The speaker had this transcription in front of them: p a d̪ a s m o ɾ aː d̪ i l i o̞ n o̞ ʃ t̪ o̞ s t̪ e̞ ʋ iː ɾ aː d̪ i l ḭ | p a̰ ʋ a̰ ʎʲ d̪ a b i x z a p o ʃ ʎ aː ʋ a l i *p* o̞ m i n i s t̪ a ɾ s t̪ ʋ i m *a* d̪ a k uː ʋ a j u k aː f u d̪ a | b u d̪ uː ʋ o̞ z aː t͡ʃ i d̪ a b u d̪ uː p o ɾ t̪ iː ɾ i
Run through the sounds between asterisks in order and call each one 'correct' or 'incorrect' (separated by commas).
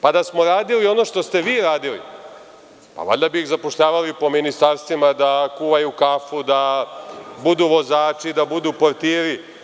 correct, correct